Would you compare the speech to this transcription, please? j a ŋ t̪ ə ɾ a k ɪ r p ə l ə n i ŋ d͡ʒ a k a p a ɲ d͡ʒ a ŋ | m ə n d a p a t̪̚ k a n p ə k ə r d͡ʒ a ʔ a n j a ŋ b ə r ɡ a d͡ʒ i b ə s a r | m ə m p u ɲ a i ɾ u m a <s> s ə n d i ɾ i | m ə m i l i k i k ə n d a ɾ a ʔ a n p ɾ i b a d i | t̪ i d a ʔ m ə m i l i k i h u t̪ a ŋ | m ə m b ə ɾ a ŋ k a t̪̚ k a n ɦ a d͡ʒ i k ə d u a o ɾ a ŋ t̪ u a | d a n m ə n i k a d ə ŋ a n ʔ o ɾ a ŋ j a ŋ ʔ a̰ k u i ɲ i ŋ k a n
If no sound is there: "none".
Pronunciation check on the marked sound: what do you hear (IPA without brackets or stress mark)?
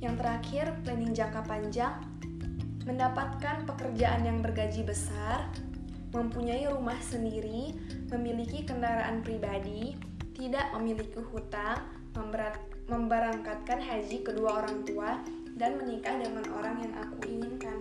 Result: h